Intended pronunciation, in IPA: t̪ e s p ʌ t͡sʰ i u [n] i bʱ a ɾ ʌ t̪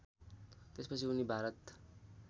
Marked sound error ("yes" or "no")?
no